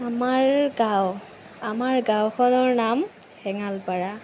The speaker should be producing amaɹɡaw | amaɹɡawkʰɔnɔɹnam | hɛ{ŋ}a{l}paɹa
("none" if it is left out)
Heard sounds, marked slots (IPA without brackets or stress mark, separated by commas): ŋ, l